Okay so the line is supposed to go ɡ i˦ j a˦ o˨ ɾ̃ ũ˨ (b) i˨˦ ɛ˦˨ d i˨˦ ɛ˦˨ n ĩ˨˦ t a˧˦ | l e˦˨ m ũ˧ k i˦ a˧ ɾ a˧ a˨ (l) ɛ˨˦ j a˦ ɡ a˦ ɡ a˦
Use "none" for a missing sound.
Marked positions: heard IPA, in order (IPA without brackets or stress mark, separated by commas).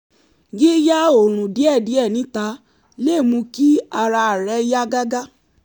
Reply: d, ɾ